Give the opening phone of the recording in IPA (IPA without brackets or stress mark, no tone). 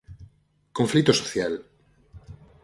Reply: k